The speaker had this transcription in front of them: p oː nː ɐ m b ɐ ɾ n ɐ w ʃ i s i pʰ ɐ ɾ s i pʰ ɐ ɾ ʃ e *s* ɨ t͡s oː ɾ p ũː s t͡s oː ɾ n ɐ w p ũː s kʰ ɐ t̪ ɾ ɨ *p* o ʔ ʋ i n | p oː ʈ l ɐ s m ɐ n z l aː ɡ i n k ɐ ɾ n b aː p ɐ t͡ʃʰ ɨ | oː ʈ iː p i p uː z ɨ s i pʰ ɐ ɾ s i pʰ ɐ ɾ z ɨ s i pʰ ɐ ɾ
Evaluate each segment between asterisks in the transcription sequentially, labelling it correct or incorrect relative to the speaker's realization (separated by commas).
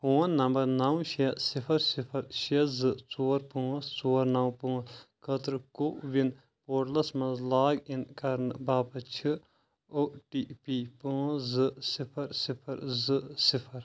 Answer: incorrect, incorrect